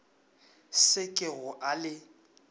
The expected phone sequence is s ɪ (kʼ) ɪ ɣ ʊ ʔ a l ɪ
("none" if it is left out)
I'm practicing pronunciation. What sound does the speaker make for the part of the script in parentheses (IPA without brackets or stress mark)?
kʼ